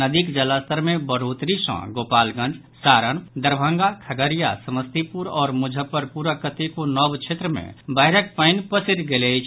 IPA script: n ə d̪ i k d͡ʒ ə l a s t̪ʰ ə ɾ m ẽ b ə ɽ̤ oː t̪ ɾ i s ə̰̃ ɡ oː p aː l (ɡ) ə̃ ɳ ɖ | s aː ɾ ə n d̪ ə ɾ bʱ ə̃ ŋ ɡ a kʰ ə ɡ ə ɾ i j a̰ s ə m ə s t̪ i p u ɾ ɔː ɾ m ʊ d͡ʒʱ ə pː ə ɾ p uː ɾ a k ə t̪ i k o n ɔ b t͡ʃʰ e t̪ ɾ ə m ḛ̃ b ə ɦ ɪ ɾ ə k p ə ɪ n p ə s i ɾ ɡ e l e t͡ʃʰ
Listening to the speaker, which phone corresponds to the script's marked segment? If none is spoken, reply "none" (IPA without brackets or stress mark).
ɡ